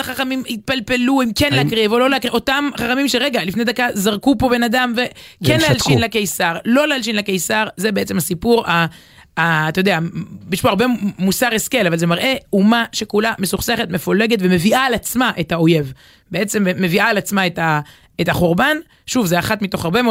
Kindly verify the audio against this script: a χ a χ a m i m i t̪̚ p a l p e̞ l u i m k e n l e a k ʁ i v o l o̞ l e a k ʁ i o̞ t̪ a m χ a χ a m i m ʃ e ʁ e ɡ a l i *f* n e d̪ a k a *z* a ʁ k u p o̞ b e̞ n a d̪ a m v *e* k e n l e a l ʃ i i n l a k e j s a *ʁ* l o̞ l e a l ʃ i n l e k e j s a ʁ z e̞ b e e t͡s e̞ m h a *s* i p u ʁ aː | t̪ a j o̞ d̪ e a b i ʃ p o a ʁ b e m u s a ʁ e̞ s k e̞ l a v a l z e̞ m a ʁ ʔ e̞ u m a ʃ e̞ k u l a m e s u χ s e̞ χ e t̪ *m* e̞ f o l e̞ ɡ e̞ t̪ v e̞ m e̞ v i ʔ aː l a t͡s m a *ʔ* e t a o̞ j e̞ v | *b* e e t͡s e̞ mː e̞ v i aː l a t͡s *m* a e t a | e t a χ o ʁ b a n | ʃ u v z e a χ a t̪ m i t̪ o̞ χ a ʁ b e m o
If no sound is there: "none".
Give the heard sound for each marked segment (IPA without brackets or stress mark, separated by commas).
f, z, e, ʁ, s, m, ʔ, b, m